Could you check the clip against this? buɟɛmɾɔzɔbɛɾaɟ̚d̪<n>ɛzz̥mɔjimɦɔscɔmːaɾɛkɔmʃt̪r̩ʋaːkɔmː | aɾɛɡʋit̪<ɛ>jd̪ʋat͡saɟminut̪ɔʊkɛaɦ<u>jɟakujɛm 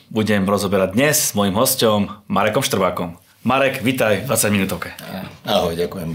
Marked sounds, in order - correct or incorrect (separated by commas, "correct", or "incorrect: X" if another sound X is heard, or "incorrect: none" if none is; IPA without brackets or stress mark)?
incorrect: ɲ, incorrect: a, incorrect: ɔ